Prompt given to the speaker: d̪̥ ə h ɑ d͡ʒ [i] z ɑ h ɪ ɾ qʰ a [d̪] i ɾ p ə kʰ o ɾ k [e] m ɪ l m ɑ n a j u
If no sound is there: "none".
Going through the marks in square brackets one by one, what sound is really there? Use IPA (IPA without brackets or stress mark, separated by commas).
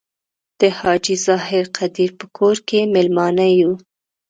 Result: i, d̪, e